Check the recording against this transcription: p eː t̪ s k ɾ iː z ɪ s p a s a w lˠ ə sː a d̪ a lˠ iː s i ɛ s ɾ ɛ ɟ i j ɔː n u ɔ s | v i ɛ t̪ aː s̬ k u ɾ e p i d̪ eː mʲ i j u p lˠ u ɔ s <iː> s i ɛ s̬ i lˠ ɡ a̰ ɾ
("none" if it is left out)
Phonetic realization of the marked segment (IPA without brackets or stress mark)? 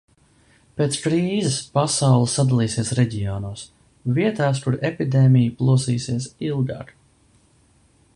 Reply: iː